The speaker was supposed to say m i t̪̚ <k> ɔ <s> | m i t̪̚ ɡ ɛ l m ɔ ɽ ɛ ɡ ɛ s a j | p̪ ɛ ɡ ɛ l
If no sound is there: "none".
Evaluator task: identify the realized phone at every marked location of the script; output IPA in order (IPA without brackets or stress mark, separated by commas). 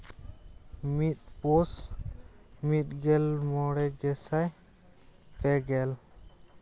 p, s